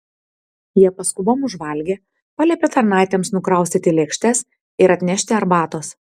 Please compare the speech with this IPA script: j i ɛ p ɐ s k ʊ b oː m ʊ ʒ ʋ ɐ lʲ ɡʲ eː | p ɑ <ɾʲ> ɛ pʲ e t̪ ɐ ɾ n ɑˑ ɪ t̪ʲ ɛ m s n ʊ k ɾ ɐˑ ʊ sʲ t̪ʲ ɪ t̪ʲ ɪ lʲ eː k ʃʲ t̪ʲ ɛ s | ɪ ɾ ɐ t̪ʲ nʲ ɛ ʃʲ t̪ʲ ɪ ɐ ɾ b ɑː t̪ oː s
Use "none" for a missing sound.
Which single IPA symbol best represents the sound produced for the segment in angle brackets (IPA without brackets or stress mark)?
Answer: lʲ